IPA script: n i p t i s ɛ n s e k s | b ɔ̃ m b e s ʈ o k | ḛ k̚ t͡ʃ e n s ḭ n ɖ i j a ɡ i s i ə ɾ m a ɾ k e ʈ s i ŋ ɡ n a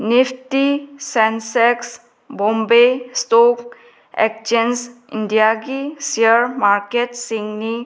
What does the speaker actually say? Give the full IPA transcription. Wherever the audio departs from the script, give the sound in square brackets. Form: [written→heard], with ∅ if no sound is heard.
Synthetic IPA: n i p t i s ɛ n s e k s | b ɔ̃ m b e s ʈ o k | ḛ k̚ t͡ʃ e n s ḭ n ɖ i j a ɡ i s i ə ɾ m a ɾ k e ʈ s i ŋ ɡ n [a→i]